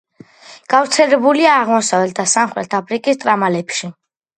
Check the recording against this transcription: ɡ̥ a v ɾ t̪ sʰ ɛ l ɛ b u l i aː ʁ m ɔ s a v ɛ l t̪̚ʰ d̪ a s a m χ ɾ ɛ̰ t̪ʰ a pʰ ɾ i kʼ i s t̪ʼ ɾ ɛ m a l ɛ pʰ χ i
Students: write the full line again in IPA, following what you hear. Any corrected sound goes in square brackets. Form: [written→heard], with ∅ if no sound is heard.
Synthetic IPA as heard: ɡ̥ a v ɾ t̪ sʰ ɛ l ɛ b u l i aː ʁ m ɔ s a v ɛ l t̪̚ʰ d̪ a s a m χ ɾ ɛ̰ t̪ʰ a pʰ ɾ i kʼ i s t̪ʼ ɾ [ɛ→a] m a l ɛ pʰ [χ→ʃ] i